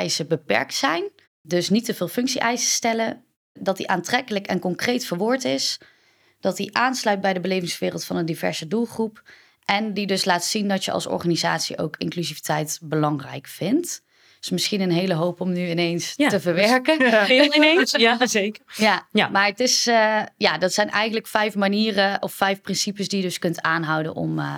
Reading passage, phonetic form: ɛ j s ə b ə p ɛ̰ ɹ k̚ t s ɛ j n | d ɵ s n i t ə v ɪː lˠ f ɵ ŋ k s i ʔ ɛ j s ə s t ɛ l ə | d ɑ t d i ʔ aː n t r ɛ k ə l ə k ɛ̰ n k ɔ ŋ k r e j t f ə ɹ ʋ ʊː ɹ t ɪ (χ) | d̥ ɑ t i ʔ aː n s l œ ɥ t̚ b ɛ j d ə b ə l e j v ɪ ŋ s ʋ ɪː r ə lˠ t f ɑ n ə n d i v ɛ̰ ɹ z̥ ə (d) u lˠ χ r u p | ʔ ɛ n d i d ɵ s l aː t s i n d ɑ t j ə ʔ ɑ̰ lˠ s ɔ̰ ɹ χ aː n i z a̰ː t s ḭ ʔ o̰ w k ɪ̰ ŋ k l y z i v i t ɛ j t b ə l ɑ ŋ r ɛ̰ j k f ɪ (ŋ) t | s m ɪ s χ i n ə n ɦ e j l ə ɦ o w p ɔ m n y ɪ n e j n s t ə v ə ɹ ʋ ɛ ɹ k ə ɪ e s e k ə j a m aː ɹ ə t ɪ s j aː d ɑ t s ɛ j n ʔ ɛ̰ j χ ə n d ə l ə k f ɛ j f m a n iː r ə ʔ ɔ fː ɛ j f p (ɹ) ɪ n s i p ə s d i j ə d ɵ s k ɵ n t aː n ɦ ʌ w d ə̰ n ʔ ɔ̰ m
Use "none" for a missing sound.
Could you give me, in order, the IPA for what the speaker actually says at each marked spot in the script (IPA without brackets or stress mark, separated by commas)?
s, d, n, r